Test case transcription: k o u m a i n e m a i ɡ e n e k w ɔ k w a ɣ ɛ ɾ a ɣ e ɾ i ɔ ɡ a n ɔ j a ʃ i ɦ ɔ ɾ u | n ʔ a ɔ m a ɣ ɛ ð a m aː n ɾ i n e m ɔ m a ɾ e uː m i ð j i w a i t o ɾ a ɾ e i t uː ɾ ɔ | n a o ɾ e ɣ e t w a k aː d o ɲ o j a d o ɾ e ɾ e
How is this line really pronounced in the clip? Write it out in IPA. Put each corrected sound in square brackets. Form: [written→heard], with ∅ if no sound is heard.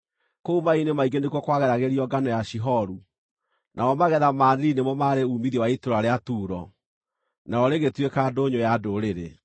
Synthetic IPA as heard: k o u m a i n e m a i ɡ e n e k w ɔ k w a ɣ ɛ ɾ a ɣ e ɾ i ɔ ɡ a n ɔ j a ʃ i ɦ ɔ ɾ u | n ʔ a ɔ m a ɣ ɛ ð a m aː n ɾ i n e m ɔ m a ɾ e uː m i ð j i w a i t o ɾ a ɾ e [i→a] t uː ɾ ɔ | n a [o→ɔ] ɾ e ɣ e t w [a→e] k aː d o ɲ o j a d o ɾ e ɾ e